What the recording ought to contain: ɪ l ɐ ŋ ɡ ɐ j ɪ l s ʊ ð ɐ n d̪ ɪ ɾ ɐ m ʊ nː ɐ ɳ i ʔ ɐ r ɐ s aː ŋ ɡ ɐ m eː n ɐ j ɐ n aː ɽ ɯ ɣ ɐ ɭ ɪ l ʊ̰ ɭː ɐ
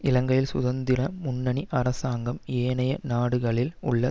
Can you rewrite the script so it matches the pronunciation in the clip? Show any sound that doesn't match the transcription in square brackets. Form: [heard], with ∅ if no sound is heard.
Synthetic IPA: ɪ l ɐ ŋ ɡ ɐ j ɪ l s ʊ ð ɐ n d̪ ɪ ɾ ɐ m ʊ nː ɐ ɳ i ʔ ɐ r ɐ s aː ŋ ɡ ɐ m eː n ɐ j ɐ n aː ɽ ɯ ɣ ɐ ɭ ɪ l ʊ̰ ɭː ɐ